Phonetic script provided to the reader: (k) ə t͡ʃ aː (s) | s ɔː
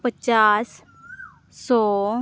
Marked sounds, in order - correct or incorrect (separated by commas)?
incorrect, correct